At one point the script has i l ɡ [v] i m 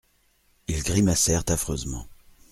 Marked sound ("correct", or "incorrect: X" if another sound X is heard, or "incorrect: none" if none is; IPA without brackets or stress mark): incorrect: ʁ